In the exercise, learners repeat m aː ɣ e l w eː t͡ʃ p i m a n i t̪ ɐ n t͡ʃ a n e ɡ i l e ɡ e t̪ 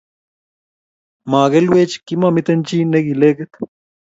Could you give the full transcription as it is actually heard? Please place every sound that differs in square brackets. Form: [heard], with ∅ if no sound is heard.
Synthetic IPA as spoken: m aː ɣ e l w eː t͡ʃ [k] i m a [m] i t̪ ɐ n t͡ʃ [i] n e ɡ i l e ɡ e t̪